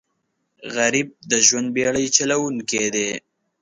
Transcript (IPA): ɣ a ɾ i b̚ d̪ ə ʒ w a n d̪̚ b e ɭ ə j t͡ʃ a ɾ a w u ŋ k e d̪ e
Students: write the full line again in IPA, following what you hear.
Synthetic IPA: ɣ a ɾ i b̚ d̪ ə ʒ w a n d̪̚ b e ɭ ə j t͡ʃ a l a w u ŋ k e d̪ e